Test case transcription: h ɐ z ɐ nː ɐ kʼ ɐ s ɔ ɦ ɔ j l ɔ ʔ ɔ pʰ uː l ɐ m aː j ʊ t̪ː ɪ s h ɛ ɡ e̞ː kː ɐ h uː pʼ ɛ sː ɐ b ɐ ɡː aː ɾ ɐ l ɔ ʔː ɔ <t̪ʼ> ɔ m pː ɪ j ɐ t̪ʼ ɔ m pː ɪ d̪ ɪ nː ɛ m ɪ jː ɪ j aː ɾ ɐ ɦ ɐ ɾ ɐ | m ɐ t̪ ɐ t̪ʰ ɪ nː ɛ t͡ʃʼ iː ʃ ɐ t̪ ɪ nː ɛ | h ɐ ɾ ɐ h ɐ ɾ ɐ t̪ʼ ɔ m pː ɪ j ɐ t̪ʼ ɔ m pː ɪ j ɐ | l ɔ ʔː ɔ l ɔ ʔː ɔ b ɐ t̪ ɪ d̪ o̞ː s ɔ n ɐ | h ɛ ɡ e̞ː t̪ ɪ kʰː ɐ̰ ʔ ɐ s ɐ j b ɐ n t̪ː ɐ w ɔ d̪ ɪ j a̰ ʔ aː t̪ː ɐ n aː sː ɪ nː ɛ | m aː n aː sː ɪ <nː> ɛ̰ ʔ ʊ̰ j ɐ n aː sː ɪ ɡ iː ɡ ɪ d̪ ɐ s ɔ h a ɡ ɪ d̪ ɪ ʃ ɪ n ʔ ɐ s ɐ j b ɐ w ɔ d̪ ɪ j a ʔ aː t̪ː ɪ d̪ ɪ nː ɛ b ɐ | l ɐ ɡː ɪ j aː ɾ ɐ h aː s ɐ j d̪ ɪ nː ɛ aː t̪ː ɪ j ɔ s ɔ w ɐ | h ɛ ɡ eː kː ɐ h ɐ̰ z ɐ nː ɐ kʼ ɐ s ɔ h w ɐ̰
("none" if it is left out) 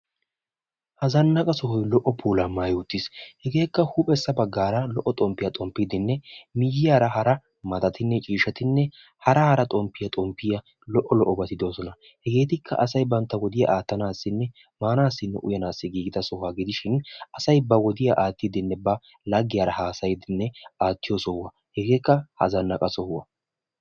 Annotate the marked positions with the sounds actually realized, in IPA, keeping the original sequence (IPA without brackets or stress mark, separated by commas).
t̪ʼ, nː